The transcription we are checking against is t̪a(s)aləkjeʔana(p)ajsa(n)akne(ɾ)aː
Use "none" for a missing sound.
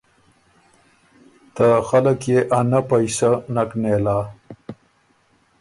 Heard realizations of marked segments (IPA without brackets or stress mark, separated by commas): x, p, n, l